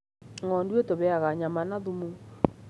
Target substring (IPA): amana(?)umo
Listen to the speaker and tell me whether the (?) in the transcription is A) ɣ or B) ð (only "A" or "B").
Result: B